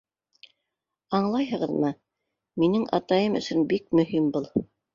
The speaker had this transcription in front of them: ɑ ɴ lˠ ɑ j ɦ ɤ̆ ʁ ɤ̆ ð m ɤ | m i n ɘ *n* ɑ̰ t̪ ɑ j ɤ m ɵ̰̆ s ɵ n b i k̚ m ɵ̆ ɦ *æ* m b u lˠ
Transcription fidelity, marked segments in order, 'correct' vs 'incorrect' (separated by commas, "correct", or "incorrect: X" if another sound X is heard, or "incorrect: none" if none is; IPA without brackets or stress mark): incorrect: ŋ, incorrect: i